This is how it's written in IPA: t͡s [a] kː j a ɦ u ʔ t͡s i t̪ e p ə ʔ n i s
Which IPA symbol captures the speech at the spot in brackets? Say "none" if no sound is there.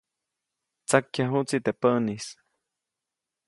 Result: a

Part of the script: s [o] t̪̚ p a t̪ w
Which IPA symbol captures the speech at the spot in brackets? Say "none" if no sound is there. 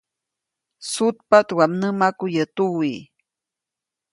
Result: u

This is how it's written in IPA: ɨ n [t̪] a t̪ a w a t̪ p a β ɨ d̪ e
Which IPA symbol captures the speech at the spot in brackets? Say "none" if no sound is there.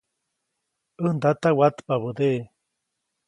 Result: d̪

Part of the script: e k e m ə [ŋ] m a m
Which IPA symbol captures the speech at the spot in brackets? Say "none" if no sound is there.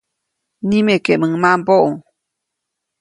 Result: ŋ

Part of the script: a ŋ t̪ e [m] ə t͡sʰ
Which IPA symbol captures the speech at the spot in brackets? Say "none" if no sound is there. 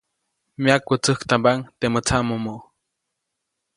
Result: m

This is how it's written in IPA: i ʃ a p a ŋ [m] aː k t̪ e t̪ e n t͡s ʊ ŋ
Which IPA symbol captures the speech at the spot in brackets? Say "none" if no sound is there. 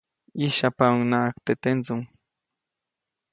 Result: n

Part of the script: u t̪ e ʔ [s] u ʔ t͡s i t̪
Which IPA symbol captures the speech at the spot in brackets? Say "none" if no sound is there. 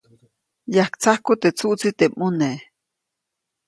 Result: t͡s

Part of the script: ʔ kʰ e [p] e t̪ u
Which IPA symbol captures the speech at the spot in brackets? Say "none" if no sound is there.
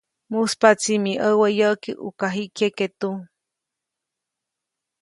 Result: k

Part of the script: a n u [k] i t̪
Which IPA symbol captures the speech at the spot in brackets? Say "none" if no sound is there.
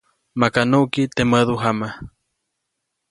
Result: k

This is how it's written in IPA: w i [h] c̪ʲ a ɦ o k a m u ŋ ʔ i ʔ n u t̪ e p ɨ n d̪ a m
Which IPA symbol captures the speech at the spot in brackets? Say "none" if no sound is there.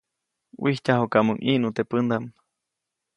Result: h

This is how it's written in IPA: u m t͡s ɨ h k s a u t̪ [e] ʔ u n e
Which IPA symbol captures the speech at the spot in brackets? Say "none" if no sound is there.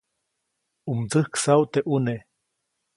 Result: e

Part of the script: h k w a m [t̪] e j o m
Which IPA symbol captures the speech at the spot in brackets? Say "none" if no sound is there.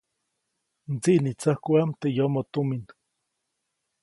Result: t̪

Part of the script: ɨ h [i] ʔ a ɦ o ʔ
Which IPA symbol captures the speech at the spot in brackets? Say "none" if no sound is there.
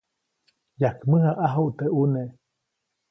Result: a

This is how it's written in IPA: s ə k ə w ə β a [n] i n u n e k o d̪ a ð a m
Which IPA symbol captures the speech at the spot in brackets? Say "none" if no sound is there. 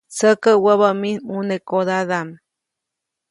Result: m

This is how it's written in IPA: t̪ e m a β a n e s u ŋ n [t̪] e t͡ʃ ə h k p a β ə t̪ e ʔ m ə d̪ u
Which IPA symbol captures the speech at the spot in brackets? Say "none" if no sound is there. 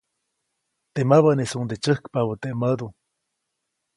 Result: d̪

